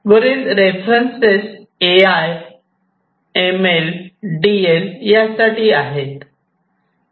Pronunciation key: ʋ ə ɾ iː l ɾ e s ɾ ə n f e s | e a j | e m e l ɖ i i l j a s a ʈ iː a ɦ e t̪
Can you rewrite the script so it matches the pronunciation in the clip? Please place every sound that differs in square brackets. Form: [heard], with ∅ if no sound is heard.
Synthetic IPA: ʋ ə ɾ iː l ɾ e [f] ɾ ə n [s] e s | e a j | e m e l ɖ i [e] l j a s a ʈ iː a ɦ e t̪